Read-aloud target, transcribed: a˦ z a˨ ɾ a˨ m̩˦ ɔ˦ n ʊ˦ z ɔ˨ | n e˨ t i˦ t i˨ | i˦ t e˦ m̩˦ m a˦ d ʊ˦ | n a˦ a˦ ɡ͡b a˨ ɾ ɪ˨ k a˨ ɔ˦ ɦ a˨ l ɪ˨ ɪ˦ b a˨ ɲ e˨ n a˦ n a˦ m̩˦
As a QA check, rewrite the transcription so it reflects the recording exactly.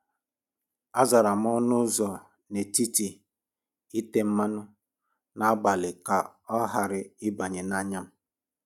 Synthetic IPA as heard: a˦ z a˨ ɾ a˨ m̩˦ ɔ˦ n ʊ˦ z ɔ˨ | n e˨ t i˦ t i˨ | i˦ t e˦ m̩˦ m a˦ n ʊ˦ | n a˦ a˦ ɡ͡b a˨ l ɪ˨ k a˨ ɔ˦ ɦ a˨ ɾ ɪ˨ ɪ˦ b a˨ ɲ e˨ n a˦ ɲ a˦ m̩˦